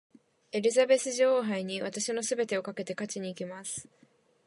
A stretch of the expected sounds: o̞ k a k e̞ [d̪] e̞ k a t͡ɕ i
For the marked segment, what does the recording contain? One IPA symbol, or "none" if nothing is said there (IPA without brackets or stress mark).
t̪